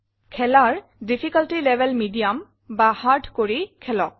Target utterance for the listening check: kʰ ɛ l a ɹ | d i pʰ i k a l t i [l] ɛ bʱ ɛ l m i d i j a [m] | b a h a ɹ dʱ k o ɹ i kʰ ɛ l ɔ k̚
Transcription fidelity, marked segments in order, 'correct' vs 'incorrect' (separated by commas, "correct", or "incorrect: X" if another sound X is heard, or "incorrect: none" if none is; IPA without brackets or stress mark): correct, correct